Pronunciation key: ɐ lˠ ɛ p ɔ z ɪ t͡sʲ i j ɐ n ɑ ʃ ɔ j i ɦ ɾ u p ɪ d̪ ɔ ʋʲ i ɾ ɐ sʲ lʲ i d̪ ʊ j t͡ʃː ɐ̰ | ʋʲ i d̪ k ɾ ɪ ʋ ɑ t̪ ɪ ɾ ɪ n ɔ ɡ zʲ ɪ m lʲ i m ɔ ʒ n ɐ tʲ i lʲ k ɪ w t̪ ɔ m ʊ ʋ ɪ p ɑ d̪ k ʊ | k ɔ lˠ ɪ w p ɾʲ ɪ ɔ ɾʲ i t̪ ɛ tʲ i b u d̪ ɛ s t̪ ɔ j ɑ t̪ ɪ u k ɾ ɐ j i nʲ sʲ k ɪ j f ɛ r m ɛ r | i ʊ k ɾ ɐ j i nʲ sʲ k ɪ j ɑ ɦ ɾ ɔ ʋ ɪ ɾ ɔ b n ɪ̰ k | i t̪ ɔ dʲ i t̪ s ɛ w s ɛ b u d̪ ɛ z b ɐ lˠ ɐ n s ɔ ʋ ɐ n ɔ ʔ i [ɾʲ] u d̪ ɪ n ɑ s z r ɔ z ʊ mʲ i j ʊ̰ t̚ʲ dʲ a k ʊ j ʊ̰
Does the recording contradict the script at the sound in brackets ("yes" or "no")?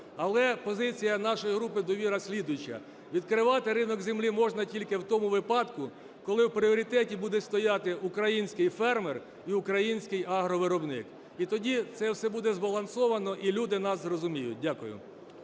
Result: yes